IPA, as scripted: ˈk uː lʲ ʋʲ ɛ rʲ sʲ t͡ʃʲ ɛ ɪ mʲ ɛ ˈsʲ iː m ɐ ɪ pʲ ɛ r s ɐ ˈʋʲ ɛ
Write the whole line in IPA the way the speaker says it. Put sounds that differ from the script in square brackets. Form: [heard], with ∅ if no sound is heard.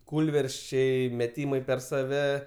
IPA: ˈk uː lʲ ʋʲ ɛ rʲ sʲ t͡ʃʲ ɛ ɪ mʲ ɛ [ˈtʲ] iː m ɐ ɪ pʲ ɛ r s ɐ ˈʋʲ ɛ